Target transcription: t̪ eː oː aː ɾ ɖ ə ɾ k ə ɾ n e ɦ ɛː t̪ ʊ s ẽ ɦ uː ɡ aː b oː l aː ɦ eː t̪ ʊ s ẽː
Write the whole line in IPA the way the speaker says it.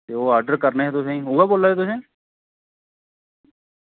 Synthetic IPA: t̪ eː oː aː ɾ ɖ ə ɾ k ə ɾ n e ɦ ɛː t̪ ʊ s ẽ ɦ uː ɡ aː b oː l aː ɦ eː t̪ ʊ s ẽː